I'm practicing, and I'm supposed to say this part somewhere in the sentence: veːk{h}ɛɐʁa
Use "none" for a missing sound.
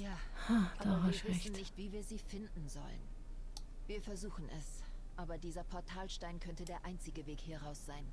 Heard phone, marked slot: h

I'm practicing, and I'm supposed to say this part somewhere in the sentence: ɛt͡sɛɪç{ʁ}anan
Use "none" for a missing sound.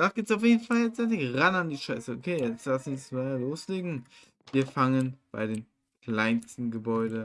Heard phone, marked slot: ʁ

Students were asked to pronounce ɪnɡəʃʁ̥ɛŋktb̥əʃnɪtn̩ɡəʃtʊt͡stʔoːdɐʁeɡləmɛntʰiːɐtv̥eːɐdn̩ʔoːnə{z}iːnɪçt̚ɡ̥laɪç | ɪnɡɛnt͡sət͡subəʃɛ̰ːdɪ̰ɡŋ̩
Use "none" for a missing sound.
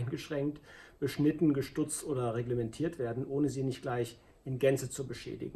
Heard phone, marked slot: z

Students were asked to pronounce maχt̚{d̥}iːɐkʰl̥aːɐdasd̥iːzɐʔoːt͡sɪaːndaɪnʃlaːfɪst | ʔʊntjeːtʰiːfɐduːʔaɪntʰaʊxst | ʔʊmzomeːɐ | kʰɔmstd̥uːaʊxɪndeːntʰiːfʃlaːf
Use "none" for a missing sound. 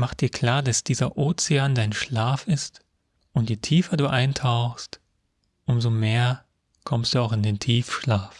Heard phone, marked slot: d̥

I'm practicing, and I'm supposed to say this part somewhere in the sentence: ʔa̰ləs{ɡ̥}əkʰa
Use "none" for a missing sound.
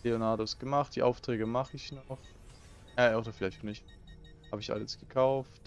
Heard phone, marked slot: ɡ̥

